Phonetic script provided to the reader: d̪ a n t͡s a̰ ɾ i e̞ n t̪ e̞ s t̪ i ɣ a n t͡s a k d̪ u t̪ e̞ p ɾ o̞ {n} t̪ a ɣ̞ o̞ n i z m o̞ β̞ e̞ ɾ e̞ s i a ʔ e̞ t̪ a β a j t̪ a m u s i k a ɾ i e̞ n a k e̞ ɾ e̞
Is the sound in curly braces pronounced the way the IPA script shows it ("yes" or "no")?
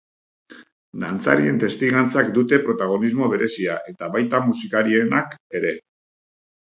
no